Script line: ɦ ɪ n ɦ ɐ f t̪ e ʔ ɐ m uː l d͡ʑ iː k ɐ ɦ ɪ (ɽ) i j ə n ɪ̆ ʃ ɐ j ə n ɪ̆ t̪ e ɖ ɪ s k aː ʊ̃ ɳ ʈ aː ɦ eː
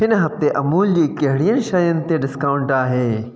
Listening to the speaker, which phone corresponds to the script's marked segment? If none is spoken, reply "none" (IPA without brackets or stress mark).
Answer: ɽ